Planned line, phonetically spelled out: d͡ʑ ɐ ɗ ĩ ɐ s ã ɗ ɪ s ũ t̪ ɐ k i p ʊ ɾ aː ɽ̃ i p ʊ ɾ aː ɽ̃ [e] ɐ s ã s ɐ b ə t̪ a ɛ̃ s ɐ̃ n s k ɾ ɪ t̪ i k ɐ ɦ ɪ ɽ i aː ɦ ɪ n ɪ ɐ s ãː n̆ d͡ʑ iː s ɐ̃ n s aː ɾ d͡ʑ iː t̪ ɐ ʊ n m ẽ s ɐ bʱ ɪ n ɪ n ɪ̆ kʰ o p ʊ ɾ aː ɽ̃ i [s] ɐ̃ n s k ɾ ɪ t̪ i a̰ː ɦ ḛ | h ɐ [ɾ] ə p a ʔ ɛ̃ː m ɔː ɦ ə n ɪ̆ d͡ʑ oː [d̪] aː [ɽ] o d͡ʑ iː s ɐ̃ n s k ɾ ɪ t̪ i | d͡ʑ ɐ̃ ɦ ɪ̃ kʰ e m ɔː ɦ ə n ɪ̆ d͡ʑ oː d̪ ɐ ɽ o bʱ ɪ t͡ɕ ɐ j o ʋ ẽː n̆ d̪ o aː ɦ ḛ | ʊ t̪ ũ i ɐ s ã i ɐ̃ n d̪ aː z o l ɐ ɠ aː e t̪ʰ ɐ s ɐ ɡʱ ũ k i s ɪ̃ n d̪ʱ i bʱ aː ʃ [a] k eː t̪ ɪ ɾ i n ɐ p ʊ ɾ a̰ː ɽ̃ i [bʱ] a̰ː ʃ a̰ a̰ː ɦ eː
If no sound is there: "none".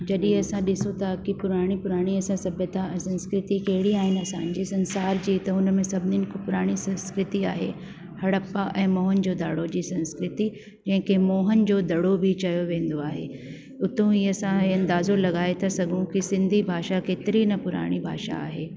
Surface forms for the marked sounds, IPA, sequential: i, s, ɽ, d̪, ɽ, a, bʱ

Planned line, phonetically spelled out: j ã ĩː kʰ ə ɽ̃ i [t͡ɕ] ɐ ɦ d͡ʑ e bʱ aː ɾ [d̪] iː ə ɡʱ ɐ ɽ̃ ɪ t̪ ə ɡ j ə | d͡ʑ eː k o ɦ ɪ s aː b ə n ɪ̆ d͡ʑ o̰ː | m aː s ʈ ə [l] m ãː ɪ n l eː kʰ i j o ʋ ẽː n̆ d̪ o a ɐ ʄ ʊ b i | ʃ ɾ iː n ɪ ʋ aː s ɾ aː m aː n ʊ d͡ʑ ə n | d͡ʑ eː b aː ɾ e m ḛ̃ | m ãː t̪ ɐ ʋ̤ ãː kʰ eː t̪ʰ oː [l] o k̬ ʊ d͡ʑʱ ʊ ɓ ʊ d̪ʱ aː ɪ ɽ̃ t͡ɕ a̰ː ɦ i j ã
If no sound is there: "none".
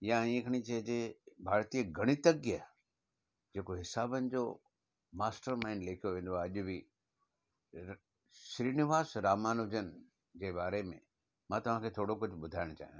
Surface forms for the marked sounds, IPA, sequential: t͡ɕ, t̪, ɾ, ɽ

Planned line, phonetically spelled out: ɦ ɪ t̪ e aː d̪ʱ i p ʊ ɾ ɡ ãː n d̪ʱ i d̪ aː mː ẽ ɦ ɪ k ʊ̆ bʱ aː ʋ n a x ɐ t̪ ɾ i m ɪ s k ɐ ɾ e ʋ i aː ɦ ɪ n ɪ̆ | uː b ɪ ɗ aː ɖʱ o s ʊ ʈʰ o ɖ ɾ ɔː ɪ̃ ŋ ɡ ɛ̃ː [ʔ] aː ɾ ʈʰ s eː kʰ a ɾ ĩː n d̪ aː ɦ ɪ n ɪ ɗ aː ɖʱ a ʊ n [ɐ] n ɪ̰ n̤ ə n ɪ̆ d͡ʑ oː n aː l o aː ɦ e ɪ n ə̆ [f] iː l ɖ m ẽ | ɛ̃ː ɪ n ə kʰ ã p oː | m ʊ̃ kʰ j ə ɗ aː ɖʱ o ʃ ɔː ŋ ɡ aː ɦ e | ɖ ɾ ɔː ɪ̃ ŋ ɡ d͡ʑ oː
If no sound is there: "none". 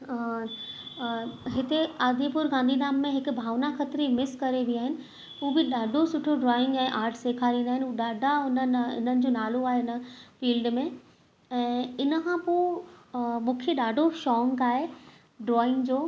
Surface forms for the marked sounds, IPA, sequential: ʔ, ə, f

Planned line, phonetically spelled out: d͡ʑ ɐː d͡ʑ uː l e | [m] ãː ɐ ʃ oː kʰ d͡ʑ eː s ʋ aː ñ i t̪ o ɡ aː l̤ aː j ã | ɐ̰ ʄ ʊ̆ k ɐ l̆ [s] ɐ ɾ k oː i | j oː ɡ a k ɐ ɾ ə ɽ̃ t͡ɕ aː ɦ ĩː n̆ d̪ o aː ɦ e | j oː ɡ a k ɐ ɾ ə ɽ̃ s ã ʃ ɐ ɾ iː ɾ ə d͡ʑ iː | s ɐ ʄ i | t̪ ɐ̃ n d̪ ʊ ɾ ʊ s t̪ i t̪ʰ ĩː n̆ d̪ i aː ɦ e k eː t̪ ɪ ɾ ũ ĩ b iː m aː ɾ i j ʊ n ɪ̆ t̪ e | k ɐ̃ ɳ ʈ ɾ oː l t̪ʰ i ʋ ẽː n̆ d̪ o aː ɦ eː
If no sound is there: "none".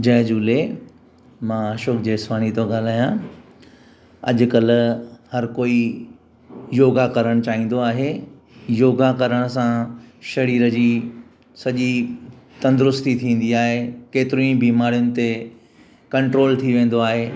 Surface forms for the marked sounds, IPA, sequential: m, h

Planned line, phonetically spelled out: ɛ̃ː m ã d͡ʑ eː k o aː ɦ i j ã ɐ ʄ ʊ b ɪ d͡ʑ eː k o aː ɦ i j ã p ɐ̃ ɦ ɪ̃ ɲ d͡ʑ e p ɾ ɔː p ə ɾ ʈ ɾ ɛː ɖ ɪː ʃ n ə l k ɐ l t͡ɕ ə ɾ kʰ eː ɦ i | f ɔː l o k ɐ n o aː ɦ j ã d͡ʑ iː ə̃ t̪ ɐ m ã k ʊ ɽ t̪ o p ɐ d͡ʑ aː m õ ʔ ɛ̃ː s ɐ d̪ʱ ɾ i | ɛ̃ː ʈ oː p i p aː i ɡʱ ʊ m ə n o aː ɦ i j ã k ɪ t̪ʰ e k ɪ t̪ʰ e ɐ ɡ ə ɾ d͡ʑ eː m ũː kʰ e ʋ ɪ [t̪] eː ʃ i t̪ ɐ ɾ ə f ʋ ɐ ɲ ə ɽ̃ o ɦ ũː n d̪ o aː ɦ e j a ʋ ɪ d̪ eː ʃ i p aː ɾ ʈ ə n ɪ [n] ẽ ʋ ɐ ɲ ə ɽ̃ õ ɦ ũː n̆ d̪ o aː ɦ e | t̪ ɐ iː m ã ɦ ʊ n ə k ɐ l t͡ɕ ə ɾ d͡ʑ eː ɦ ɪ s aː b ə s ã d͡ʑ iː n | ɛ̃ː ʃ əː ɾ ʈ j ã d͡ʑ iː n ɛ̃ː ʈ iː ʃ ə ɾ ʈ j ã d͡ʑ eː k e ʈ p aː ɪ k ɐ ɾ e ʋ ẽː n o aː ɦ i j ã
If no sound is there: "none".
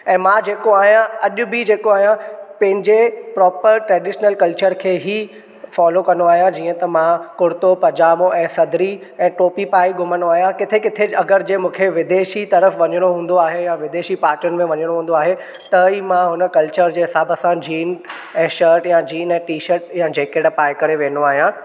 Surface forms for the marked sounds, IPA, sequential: d̪, m

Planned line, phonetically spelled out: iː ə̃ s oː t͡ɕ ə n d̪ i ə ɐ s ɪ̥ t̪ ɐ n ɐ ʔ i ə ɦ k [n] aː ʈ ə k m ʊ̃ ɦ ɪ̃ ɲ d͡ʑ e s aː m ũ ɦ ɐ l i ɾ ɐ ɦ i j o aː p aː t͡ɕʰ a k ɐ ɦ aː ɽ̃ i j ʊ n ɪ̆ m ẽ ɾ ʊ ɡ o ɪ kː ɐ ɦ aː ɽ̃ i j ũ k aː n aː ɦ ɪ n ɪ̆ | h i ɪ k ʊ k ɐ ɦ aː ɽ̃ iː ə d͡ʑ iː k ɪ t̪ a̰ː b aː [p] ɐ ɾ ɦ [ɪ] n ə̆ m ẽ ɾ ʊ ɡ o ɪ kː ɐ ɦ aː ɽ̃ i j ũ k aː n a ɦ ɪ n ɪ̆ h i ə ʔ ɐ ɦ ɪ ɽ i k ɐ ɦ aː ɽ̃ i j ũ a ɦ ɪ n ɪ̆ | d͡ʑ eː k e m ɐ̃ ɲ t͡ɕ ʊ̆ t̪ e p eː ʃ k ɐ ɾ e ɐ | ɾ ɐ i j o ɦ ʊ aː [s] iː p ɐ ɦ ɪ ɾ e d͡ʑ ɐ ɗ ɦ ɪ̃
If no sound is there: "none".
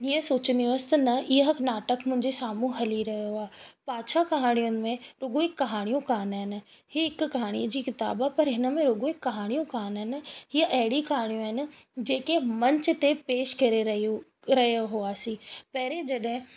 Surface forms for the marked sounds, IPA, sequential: n, p, ɪ, s

